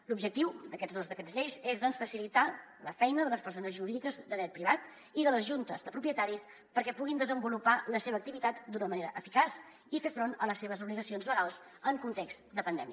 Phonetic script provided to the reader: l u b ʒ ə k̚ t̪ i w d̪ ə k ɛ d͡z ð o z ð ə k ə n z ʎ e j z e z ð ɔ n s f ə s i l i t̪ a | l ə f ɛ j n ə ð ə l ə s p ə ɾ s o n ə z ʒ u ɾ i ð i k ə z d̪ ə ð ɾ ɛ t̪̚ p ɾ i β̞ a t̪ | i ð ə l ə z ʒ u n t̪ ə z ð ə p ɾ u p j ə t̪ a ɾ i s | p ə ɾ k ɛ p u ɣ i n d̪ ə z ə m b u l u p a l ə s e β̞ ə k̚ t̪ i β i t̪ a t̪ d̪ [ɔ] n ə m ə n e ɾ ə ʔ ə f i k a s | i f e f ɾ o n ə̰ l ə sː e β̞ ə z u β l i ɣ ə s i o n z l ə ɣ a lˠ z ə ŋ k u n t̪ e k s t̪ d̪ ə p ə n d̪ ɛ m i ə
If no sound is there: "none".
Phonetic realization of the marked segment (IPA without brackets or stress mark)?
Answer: u